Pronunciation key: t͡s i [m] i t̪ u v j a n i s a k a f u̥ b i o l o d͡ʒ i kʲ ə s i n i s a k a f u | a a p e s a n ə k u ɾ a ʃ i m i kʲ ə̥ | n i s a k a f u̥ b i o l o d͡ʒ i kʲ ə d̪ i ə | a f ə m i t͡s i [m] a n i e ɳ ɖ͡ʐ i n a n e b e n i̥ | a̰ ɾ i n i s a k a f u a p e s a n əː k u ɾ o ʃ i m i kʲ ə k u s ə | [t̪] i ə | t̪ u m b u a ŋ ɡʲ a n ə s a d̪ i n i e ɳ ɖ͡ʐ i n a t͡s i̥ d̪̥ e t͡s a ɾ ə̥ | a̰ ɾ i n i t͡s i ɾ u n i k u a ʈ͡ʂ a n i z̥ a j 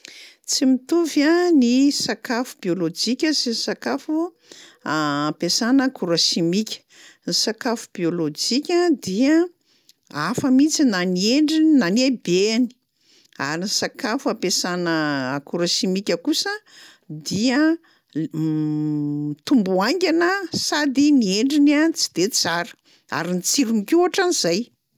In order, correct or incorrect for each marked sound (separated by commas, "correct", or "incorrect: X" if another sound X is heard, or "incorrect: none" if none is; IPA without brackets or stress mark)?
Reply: correct, incorrect: n, incorrect: d̪